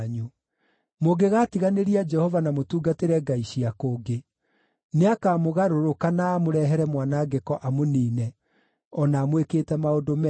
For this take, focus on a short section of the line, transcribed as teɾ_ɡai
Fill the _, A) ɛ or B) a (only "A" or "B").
A